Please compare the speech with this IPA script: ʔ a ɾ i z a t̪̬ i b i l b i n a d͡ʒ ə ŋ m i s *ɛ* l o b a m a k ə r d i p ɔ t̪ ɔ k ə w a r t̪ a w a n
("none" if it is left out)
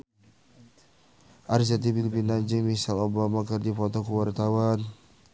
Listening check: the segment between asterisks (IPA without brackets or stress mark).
a